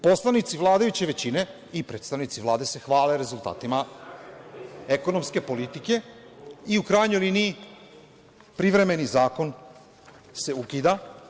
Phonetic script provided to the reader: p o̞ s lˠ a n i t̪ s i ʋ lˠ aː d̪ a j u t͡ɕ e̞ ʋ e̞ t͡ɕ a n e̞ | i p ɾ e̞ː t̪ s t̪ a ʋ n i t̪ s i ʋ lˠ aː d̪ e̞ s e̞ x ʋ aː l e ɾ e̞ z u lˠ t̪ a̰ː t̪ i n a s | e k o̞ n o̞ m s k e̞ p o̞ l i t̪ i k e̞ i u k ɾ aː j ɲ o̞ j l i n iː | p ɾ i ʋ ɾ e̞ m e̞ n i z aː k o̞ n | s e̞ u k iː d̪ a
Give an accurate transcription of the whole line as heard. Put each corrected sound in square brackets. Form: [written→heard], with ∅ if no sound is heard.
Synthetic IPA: p o̞ s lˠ a n i t̪ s i ʋ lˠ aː d̪ a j u t͡ɕ e̞ ʋ e̞ t͡ɕ [a→i] n e̞ | i p ɾ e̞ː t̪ s t̪ a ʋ n i t̪ s i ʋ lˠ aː d̪ e̞ s e̞ x ʋ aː l e ɾ e̞ z u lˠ t̪ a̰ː t̪ i [n→m] a [s→∅] | e k o̞ n o̞ m s k e̞ p o̞ l i t̪ i k e̞ i u k ɾ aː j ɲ o̞ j l i n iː | p ɾ i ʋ ɾ e̞ m e̞ n i z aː k o̞ n | s e̞ u k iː d̪ a